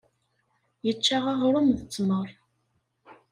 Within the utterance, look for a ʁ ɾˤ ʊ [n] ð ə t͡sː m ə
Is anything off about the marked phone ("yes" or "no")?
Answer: yes